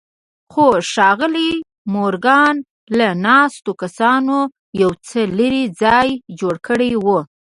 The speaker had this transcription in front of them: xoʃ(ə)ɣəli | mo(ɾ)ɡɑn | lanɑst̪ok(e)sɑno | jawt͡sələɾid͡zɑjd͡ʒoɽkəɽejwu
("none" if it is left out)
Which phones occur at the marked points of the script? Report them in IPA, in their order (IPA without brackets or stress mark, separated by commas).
ɑ, ɾ, a